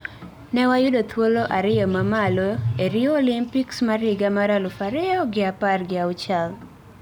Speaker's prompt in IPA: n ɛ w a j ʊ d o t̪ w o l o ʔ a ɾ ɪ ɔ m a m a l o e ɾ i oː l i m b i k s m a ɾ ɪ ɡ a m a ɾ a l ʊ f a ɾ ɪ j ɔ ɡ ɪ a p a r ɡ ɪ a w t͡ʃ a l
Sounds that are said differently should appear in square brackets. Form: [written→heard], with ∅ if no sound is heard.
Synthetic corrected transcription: n ɛ w a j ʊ d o t̪ w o l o ʔ a ɾ ɪ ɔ m a m a l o e ɾ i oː l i m [b→p] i k s m a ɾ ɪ ɡ a m a ɾ a l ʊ f a ɾ ɪ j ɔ ɡ ɪ a p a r ɡ ɪ a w t͡ʃ a l